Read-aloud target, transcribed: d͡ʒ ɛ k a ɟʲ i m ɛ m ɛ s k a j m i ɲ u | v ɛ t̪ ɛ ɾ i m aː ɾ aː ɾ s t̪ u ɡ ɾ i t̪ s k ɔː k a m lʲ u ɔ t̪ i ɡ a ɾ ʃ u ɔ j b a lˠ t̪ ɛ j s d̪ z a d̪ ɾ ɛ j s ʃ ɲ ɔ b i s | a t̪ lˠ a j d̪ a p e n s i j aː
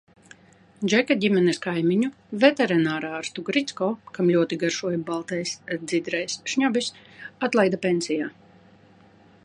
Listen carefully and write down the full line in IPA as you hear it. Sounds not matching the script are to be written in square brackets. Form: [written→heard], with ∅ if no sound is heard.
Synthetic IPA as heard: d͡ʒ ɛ k a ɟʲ i m ɛ [m→n] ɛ s k a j m i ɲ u | v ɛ t̪ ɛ ɾ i [m→n] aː ɾ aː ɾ s t̪ u ɡ ɾ i t̪ s k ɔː k a m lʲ u ɔ t̪ i ɡ a ɾ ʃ u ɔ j b a lˠ t̪ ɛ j s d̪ z [a→i] d̪ ɾ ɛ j s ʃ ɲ ɔ b i s | a t̪ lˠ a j d̪ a p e n s i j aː